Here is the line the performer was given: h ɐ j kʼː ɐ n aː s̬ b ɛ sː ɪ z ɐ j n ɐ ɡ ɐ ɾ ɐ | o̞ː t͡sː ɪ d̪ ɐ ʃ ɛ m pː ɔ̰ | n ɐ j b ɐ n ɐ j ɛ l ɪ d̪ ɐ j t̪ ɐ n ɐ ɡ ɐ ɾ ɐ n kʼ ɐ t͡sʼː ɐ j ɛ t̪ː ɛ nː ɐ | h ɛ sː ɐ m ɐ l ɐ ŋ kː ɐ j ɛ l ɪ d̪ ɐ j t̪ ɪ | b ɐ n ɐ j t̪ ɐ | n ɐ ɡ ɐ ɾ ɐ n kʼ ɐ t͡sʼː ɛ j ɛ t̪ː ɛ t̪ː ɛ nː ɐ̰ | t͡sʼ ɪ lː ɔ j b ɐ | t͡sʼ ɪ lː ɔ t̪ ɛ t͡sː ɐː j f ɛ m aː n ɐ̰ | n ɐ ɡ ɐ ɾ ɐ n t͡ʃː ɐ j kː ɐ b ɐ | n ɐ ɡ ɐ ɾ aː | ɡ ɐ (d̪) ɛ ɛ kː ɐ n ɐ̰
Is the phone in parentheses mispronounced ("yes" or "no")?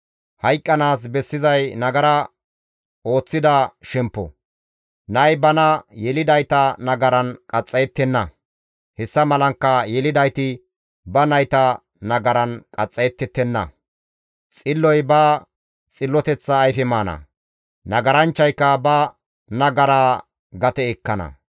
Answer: yes